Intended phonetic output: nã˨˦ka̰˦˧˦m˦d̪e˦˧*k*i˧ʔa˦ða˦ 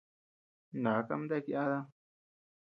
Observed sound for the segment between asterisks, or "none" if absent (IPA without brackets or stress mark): k